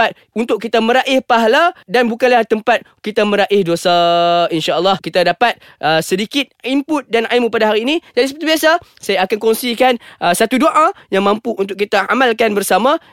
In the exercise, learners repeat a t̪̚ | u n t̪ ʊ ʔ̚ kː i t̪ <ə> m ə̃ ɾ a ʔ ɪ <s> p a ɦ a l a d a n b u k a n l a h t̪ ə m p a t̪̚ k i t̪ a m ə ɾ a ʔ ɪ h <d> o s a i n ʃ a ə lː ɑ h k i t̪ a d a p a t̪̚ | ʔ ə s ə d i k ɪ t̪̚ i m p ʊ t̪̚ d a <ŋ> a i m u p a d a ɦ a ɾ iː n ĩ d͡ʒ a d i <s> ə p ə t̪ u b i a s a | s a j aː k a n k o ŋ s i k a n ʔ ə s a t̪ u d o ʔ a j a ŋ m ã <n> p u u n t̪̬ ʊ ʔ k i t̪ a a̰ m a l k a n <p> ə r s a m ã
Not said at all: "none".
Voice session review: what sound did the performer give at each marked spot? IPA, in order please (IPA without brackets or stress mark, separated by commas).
a, h, d, n, s, m, b